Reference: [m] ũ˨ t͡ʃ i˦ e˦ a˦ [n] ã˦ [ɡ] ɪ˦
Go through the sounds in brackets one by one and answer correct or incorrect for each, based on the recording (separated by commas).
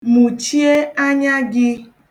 correct, incorrect, correct